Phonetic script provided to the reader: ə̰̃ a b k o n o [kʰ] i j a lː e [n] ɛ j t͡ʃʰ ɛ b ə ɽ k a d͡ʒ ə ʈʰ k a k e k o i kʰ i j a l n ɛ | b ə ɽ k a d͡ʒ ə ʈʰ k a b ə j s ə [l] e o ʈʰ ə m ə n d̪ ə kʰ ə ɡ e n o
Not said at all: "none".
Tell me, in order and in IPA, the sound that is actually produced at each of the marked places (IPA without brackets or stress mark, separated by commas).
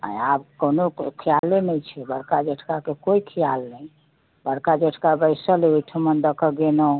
kʰ, n, l